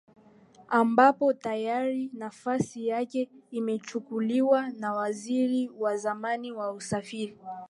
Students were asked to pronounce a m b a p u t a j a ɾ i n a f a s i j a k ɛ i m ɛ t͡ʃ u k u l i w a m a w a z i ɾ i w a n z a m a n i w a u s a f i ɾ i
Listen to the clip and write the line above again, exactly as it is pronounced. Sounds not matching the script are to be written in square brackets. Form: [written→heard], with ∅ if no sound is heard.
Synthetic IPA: a m b a p [u→ɔ] t a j a ɾ i n a f a s i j a k ɛ i m ɛ t͡ʃ u k u l i w a [m→n] a w a z i ɾ i w a [n→∅] z a m a n i w a u s a f i ɾ i